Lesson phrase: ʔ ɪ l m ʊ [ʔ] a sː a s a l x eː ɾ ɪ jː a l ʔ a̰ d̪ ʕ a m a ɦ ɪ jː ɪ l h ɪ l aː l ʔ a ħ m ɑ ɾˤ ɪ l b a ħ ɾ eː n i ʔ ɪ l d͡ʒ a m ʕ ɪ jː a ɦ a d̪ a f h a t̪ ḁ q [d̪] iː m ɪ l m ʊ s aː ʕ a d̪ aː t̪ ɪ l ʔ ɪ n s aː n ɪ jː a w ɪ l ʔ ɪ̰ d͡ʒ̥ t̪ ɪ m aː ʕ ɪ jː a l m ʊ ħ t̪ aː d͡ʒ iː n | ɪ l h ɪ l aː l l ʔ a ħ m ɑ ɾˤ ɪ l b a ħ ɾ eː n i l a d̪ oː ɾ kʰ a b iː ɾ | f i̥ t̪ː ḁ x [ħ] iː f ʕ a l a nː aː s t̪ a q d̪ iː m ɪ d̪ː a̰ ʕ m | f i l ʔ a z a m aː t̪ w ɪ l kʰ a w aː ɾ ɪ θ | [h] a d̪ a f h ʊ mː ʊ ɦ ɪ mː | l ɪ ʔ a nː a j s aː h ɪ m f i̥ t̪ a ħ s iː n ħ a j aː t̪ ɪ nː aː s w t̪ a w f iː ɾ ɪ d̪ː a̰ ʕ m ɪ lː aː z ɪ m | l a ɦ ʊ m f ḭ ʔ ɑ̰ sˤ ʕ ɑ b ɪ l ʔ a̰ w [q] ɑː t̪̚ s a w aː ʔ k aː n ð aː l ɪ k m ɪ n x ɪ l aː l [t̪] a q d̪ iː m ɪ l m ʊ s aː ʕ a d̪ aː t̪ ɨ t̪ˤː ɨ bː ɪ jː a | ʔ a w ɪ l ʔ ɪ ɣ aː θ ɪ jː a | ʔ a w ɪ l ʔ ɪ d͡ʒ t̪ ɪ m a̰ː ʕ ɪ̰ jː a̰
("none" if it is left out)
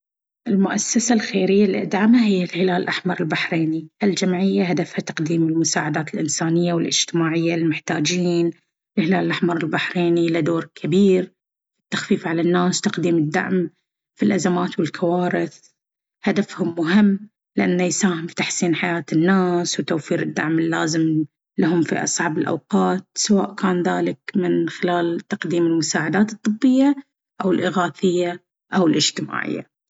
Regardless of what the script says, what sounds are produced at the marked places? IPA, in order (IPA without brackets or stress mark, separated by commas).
ʔ, d̪, f, h, q, t̪